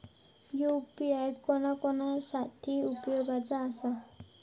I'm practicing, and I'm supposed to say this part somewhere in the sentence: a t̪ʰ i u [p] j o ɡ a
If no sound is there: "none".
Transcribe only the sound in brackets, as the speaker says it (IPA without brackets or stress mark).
p